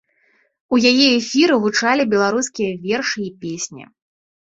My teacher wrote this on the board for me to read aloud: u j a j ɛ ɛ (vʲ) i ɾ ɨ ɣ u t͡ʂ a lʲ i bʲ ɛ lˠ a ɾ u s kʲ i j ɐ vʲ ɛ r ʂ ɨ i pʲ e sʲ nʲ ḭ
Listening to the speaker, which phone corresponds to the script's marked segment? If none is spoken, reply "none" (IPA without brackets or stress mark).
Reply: fʲ